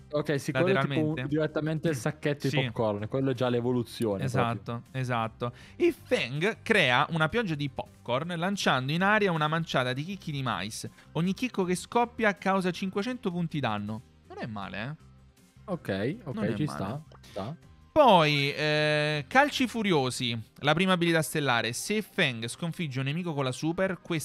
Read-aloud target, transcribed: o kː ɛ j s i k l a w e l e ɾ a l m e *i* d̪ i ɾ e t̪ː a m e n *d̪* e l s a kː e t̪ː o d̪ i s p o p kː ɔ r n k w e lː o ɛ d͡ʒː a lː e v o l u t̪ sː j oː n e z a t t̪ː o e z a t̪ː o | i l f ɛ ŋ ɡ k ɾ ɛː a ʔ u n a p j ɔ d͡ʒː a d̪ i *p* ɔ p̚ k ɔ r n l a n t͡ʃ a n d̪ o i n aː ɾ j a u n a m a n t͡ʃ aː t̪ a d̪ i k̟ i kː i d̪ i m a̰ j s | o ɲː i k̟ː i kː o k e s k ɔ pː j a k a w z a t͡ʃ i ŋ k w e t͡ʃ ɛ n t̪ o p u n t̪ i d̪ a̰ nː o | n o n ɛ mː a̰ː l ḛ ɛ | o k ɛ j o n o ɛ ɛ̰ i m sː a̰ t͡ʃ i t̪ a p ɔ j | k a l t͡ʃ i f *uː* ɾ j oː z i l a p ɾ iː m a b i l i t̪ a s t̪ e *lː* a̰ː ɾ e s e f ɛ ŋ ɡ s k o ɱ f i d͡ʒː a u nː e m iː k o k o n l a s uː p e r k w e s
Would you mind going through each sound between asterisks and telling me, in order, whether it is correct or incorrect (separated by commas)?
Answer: incorrect, incorrect, correct, incorrect, correct